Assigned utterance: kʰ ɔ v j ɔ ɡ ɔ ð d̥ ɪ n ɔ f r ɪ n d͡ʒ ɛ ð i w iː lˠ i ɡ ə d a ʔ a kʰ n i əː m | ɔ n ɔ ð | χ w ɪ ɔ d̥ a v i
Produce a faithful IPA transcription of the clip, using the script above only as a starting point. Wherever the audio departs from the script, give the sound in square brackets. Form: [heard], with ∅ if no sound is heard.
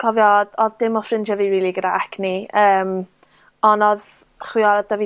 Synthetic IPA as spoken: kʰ ɔ v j ɔ [d] ɔ ð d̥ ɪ [m] ɔ f r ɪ n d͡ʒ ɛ [v] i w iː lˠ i ɡ ə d a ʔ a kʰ n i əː m | ɔ n ɔ ð | χ w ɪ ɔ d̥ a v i